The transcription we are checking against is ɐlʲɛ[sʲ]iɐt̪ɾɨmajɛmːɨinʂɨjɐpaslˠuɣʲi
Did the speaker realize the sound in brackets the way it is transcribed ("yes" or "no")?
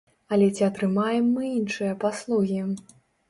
no